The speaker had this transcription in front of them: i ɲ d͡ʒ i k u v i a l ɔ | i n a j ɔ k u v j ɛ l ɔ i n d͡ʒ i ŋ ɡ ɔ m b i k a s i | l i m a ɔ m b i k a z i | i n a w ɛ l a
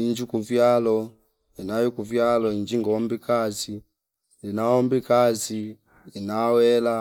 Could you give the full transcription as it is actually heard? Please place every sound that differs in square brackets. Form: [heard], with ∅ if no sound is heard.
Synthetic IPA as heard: i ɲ d͡ʒ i k u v [j] a l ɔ | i n a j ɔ k u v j [a] l ɔ i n d͡ʒ i ŋ ɡ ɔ m b i k a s i | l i [n] a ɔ m b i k a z i | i n a w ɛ l a